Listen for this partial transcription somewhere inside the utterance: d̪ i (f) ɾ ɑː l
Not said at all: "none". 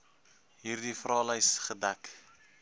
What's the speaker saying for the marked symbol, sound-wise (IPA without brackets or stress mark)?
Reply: f